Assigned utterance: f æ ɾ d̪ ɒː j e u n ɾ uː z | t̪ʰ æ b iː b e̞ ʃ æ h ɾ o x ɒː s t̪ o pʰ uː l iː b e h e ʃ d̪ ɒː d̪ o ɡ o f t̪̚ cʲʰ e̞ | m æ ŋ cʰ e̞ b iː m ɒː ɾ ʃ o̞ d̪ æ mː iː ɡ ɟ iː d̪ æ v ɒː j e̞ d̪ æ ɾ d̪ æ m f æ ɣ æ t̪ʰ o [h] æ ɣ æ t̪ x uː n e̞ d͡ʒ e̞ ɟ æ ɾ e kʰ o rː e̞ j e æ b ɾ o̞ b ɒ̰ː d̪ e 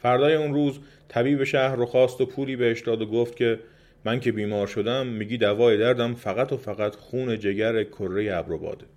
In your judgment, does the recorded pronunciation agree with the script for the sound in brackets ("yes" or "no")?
no